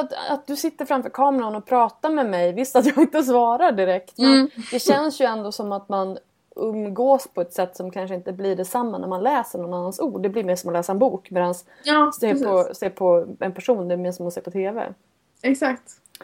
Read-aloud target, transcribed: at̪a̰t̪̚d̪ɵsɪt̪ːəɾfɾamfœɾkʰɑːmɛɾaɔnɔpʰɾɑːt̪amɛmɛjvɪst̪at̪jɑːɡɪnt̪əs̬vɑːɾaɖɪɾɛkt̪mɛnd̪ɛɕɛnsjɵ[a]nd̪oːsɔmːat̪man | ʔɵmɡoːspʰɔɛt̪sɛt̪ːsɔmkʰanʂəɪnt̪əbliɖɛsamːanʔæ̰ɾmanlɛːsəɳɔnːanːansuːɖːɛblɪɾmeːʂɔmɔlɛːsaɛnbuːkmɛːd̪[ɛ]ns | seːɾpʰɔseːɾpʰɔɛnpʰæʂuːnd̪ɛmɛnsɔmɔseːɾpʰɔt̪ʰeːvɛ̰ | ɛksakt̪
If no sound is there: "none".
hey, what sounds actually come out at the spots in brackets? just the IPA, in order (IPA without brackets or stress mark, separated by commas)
ɛ, a